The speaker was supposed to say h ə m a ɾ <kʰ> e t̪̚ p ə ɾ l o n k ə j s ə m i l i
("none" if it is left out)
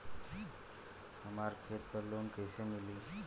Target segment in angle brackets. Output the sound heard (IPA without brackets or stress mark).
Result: kʰ